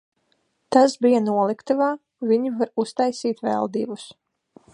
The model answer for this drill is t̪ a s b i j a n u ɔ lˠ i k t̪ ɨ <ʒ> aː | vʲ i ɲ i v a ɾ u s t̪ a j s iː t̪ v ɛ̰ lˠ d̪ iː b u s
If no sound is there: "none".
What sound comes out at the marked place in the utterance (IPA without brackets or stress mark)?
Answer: v